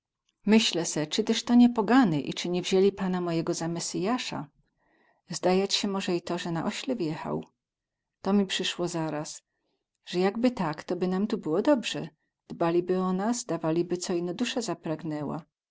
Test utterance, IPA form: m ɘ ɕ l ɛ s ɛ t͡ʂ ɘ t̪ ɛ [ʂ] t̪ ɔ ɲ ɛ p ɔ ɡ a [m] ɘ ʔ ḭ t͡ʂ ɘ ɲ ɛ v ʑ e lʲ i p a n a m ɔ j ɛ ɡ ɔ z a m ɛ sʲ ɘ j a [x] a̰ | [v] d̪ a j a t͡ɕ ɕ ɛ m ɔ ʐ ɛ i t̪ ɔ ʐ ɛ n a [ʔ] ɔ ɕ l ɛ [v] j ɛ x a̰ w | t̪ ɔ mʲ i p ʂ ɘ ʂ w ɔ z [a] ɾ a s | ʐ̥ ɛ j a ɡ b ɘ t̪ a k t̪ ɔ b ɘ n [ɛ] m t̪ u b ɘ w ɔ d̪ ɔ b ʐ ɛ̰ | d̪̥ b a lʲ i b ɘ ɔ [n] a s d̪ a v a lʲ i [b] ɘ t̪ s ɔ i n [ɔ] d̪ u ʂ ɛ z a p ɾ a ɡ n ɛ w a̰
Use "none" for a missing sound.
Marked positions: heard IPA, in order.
ʂ, n, ʂ, z, ʔ, v, a, a, n, b, ɔ

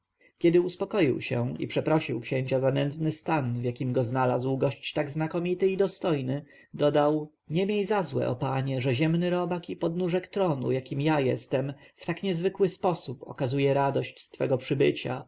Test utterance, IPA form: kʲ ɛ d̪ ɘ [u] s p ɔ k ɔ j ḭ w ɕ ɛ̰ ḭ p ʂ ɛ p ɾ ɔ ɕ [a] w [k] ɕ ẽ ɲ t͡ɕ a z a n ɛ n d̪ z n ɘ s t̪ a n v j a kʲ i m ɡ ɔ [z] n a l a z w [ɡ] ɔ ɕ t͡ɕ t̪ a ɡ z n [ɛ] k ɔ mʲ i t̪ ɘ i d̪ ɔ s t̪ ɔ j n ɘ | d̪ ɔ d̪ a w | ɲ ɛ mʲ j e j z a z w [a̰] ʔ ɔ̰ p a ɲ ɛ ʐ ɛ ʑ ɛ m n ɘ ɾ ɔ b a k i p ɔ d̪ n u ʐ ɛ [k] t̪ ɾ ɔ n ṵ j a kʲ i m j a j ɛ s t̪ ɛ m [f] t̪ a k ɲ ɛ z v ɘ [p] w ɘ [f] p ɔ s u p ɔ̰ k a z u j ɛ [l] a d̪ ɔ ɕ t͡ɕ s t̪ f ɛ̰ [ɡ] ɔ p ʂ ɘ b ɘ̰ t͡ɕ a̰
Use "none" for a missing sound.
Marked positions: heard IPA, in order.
u, i, k, z, ɡ, a, ɛ̰, k, f, k, s, ɾ, ɡ

